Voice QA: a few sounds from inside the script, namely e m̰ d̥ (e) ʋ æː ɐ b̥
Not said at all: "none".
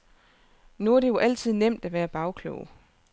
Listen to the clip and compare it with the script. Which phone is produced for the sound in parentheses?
æ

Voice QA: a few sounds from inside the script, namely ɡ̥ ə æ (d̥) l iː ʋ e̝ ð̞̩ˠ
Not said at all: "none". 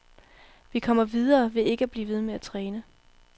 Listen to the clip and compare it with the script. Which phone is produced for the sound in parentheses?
b̥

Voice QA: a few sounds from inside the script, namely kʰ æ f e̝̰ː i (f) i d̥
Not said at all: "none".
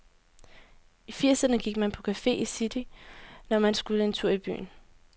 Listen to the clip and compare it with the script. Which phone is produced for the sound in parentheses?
s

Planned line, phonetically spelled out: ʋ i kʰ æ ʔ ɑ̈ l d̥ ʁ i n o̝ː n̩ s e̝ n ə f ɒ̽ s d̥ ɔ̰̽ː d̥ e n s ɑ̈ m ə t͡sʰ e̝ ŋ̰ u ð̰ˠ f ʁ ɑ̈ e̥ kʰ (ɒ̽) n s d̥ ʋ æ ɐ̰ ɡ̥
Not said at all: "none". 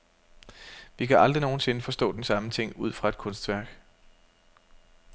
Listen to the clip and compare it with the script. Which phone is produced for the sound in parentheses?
ɔ̽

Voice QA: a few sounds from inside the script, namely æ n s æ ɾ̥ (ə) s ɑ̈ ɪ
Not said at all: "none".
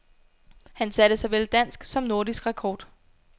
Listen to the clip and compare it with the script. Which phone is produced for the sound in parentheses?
ə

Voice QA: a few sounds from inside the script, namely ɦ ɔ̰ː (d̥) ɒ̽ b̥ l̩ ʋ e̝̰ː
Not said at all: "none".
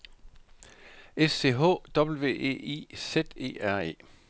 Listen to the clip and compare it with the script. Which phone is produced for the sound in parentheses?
d̥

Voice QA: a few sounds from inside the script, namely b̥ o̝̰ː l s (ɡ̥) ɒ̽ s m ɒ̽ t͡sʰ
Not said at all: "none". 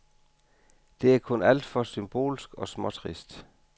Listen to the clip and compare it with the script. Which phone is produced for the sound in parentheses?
ɡ̥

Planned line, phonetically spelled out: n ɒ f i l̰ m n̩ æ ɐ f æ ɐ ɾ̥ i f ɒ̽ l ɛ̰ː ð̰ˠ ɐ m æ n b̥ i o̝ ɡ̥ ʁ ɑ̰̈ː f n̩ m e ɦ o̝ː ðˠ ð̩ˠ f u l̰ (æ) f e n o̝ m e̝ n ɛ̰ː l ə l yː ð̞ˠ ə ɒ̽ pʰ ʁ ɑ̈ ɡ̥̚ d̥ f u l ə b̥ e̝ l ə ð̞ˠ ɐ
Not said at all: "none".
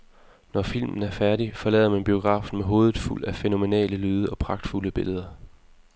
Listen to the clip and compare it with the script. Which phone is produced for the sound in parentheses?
æ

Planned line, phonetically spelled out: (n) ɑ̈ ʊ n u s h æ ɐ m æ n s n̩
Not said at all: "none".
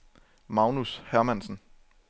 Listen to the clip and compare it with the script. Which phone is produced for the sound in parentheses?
m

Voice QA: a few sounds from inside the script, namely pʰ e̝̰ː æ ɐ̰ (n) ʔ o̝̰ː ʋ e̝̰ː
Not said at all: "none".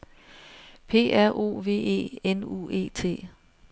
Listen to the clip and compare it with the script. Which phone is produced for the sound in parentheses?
none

